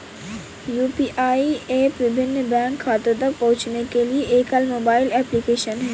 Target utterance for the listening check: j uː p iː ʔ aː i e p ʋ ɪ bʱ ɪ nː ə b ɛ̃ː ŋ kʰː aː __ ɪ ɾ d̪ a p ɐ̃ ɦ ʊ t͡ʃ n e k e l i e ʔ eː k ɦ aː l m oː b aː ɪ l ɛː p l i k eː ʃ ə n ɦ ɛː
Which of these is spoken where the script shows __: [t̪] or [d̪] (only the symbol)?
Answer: t̪